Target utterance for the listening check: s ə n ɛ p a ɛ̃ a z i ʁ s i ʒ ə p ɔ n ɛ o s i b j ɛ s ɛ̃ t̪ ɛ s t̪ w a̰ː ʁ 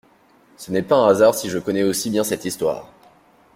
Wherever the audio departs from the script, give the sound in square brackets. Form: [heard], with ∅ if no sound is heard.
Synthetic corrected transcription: s ə n ɛ p a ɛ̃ a z [a] ʁ s i ʒ ə [k] ɔ n ɛ o s i b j [ɛ̃] s [ɛ] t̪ [i] s t̪ w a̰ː ʁ